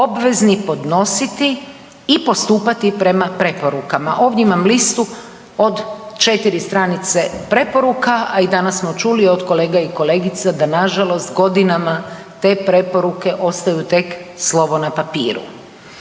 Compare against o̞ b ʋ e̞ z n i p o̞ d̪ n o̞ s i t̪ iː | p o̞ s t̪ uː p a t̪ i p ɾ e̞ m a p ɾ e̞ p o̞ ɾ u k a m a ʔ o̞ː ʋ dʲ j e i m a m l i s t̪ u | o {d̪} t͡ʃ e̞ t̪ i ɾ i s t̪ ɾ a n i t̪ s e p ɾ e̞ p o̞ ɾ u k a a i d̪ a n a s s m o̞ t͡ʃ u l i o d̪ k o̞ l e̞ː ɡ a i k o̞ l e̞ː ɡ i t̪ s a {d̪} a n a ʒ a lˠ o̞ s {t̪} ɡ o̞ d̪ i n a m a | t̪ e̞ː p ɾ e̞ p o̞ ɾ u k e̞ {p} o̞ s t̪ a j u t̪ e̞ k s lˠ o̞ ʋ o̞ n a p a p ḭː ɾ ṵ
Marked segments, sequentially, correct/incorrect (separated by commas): correct, correct, correct, incorrect